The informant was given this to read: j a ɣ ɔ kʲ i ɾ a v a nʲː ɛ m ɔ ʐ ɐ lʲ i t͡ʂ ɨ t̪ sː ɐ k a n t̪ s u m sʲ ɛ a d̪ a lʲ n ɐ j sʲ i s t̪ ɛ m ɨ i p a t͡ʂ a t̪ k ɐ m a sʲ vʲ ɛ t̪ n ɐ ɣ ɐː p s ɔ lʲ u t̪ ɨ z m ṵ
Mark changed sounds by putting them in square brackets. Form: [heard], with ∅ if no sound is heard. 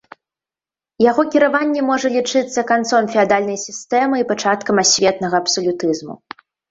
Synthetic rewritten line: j a ɣ ɔ kʲ i ɾ a v a nʲː ɛ m ɔ ʐ ɐ lʲ i t͡ʂ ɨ t̪ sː ɐ k a n t̪ s [ɔ] m [fʲ] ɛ a d̪ a lʲ n ɐ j sʲ i s t̪ ɛ m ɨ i p a t͡ʂ a t̪ k ɐ m a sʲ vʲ ɛ t̪ n ɐ ɣ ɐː p s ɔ lʲ u t̪ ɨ z m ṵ